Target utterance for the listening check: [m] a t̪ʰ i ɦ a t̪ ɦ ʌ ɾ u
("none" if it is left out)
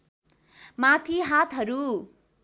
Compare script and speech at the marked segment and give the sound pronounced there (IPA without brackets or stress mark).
m